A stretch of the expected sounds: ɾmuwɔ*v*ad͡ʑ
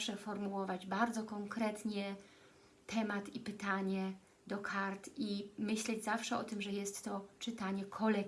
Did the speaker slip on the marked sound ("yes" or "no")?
no